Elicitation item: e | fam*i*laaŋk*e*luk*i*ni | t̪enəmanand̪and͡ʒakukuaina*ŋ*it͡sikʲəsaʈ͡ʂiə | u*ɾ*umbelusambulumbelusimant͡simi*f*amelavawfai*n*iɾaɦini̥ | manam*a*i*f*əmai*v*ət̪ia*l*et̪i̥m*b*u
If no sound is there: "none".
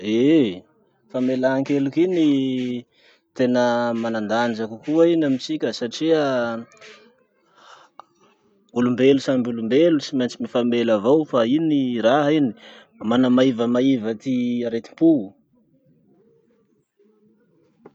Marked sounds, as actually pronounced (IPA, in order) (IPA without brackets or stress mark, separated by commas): e, e, i, m, l, f, n, a, v, v, ɾ, p